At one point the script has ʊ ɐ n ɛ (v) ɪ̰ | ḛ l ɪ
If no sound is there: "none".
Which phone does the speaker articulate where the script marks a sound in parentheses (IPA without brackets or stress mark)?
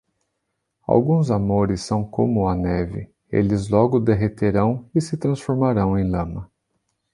v